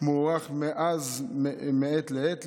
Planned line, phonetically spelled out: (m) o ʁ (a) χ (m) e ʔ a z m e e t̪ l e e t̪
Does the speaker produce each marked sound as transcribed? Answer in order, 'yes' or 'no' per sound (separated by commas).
yes, yes, yes